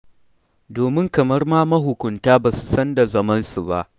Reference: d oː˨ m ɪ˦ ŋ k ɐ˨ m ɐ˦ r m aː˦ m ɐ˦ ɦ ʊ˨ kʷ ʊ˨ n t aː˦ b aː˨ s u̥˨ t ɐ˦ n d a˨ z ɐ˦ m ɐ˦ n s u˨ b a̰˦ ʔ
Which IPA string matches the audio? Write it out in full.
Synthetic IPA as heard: d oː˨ m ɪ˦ ŋ k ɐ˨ m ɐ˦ r m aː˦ m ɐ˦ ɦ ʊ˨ kʷ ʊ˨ n t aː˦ b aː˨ s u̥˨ s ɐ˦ n d a˨ z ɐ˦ m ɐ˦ n s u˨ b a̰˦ ʔ